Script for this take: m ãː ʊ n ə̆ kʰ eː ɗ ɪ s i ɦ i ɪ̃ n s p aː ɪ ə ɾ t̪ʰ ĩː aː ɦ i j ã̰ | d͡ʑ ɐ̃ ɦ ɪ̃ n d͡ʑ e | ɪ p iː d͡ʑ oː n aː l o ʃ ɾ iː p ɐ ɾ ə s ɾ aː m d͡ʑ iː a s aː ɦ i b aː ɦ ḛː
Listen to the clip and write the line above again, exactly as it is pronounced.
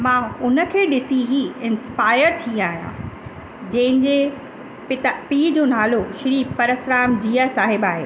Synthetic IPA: m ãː ʊ n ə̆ kʰ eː ɗ ɪ s i ɦ i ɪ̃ n s p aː ɪ ə ɾ t̪ʰ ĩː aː ɦ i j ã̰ | d͡ʑ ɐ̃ ɦ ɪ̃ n d͡ʑ e | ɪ p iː d͡ʑ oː n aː l o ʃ ɾ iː p ɐ ɾ ə s ɾ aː m d͡ʑ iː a s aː ɦ ɪ b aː ɦ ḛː